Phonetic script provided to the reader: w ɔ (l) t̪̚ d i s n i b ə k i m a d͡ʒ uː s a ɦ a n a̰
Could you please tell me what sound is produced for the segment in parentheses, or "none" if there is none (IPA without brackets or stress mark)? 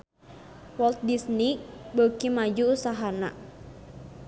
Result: l